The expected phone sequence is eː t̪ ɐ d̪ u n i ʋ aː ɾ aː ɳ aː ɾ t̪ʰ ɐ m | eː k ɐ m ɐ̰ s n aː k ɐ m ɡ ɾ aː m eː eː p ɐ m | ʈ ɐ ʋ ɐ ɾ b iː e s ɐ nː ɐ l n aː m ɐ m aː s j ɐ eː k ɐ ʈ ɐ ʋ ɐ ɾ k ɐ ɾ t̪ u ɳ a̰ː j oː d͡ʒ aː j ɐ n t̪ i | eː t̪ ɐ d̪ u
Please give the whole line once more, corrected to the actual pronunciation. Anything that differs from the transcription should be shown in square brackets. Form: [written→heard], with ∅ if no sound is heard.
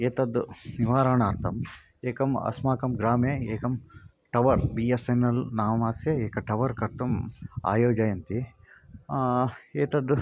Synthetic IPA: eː t̪ ɐ d̪ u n i ʋ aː ɾ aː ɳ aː ɾ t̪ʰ ɐ m | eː k ɐ m ɐ̰ s [n→m] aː k ɐ m ɡ ɾ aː m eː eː [p→k] ɐ m | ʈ ɐ ʋ ɐ ɾ b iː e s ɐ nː ɐ l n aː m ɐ m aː s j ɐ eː k ɐ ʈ ɐ ʋ ɐ ɾ k ɐ ɾ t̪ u [ɳ→m] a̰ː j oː d͡ʒ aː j ɐ n t̪ i | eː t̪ ɐ d̪ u